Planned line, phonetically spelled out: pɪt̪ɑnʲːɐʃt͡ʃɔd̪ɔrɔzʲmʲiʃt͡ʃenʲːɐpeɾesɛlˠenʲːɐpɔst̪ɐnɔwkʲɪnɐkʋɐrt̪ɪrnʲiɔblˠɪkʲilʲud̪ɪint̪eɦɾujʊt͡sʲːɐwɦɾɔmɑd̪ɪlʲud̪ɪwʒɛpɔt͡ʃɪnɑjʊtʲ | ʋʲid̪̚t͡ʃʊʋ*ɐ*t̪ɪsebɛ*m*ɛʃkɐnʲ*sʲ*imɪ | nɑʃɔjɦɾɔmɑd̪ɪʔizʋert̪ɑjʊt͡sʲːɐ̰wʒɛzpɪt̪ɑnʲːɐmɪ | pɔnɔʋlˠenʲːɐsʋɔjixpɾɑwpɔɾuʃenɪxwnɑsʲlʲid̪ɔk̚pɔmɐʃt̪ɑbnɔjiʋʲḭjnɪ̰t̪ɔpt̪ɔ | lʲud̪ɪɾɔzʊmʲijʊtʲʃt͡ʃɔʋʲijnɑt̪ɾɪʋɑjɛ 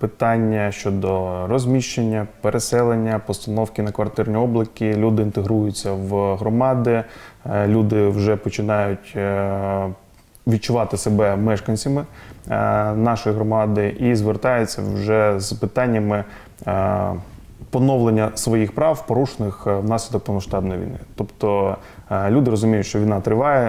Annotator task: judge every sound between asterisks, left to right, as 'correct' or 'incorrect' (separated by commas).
incorrect, correct, correct